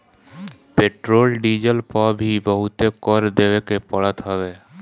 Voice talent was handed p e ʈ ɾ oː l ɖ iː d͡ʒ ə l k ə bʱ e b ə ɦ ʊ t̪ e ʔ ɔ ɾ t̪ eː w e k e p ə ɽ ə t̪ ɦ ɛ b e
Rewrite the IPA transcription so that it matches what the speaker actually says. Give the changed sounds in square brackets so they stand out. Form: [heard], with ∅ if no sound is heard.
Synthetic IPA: p e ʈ ɾ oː l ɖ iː d͡ʒ ə l [p] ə bʱ [i] b ə ɦ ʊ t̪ e [k] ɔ ɾ [d̪] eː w e k e p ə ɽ ə t̪ ɦ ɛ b e